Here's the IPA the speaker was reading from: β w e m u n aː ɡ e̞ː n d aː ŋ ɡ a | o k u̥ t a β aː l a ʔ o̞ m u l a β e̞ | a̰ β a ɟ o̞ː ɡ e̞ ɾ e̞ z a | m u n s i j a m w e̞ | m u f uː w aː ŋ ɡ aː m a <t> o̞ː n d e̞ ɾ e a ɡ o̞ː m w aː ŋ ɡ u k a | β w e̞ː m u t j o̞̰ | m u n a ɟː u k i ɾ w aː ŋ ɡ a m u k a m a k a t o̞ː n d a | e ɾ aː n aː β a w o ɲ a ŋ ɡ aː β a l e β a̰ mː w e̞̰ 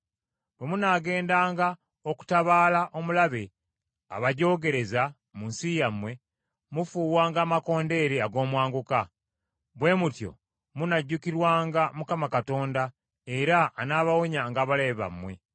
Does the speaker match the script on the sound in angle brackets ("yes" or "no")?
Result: no